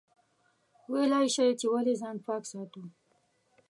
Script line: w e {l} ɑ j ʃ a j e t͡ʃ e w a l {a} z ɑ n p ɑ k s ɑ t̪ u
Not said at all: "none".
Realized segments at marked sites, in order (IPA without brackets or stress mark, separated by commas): l, e